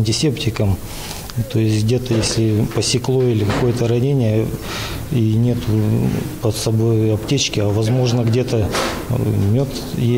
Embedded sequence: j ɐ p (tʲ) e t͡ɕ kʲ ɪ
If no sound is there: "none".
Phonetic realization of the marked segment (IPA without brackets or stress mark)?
tʲ